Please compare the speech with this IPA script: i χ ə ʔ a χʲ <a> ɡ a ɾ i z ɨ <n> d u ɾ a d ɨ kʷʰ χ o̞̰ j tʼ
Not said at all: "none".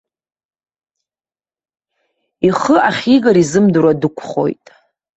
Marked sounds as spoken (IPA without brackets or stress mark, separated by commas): i, m